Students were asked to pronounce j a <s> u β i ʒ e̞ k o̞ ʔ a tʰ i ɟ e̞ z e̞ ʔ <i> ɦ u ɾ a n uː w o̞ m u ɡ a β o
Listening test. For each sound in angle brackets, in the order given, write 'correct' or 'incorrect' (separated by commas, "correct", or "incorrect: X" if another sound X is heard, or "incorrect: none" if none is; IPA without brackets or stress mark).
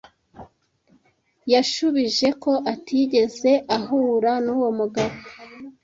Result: incorrect: ʃ, incorrect: a